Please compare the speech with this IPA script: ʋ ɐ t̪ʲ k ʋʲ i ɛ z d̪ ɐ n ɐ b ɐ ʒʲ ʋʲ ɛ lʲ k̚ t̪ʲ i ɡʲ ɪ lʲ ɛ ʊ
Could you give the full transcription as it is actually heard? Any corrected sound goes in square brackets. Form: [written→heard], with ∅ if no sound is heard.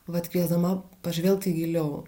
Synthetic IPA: ʋ ɐ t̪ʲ k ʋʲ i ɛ z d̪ ɐ [n→m] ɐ [b→p] ɐ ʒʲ ʋʲ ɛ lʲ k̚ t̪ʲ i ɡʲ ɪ lʲ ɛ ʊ